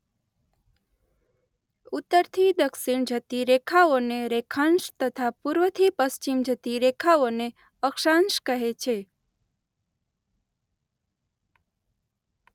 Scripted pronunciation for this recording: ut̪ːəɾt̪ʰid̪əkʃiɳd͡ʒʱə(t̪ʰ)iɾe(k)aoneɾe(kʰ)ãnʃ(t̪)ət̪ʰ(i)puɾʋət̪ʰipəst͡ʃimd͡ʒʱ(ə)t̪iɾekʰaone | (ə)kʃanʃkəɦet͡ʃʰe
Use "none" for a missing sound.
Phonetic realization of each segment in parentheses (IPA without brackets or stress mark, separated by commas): t̪, kʰ, kʰ, t̪, a, ə, ə